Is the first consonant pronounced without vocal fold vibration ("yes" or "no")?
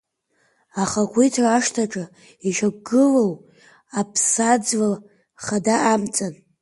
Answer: yes